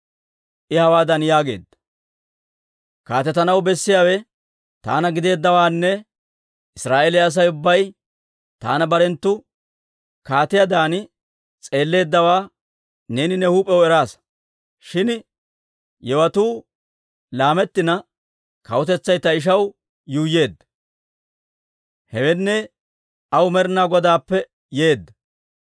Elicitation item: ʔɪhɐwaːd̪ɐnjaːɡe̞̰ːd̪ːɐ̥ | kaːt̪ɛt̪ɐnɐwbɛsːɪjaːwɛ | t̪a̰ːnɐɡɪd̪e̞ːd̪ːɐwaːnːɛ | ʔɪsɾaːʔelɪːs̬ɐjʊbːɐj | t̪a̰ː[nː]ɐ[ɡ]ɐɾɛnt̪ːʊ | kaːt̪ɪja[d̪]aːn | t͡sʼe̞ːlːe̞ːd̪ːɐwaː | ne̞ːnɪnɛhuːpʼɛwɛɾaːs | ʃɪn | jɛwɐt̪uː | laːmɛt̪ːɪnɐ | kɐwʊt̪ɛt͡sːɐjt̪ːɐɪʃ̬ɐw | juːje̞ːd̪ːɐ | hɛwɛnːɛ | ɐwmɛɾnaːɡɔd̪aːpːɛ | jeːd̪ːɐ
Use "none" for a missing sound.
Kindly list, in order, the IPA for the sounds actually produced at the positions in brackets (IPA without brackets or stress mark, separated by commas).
n, b, d̪